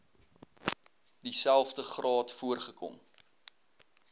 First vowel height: high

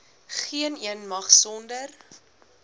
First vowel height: high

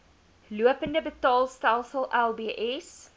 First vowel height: high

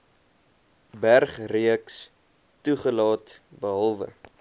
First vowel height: low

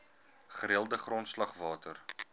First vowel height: mid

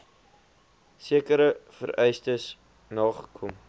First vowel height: high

